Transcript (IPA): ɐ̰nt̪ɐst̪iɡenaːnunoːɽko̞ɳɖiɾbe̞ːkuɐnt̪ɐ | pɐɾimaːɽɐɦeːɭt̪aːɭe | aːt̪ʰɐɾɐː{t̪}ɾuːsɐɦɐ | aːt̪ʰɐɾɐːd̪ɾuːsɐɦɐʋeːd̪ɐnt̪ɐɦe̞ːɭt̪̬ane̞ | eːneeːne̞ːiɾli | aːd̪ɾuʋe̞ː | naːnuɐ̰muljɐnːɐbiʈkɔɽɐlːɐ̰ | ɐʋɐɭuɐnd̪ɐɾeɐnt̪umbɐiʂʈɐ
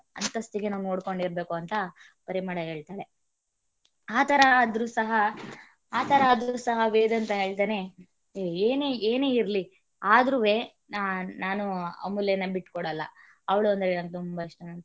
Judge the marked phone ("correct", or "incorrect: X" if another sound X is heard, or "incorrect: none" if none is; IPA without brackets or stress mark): incorrect: d̪